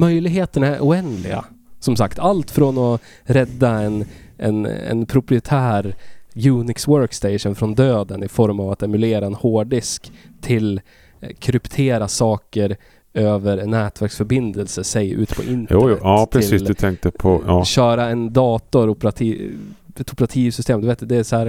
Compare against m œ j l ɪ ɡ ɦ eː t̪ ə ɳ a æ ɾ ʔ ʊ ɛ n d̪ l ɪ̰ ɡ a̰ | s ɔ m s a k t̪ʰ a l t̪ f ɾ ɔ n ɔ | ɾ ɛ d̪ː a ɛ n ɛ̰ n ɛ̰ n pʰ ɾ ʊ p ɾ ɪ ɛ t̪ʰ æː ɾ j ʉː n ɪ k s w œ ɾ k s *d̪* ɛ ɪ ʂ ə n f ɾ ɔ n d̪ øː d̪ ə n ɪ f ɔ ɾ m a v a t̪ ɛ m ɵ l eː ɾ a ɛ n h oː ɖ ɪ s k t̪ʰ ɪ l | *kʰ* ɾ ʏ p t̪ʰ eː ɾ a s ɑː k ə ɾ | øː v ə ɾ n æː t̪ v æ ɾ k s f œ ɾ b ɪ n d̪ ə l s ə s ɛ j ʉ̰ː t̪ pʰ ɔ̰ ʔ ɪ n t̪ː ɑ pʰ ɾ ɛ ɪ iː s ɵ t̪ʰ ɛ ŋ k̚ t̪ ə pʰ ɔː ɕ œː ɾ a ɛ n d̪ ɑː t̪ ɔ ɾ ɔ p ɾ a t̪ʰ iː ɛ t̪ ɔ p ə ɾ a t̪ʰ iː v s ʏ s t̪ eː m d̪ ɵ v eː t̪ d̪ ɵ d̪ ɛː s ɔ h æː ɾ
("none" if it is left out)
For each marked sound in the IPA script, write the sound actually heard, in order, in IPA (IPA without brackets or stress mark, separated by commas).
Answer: t̪, kʰ